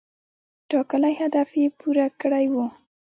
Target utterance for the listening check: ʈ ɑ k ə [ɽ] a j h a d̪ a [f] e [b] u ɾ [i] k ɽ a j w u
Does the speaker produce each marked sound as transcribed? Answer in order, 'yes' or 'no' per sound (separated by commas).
no, yes, no, no